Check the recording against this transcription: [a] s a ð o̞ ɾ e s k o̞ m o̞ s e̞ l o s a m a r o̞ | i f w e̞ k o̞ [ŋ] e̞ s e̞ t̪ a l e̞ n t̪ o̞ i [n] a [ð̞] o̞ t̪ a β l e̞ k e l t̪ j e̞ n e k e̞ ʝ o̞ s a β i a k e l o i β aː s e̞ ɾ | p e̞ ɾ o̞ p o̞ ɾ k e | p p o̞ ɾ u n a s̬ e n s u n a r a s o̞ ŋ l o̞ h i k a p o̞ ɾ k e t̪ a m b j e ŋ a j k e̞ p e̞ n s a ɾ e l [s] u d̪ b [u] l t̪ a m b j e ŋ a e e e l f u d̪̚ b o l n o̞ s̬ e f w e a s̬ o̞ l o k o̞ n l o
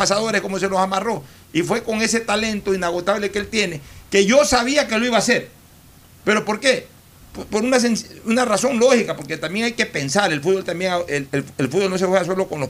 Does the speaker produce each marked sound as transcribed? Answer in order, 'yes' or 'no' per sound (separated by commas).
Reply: yes, yes, yes, no, no, no